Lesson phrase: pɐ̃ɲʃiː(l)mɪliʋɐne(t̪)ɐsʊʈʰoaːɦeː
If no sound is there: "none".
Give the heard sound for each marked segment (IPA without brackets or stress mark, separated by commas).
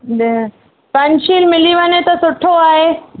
l, t̪